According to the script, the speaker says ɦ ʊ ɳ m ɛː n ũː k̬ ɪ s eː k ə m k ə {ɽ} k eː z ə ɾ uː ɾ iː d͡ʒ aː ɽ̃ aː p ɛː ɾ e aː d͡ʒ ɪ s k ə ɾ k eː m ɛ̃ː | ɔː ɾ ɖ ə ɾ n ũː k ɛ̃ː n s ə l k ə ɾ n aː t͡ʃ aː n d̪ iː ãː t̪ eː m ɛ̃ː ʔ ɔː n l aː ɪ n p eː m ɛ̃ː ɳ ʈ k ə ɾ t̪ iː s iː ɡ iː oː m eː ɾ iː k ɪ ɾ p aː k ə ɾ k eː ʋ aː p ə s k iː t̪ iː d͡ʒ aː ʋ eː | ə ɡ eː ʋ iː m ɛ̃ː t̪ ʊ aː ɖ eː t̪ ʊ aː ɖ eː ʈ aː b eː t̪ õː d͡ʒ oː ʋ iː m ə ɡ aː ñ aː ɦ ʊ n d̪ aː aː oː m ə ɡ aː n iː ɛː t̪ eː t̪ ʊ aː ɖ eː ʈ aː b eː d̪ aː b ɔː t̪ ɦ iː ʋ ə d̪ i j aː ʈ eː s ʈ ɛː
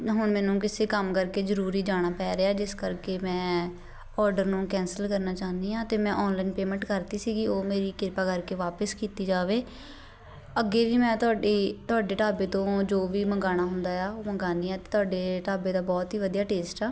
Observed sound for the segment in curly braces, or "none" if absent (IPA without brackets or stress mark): ɾ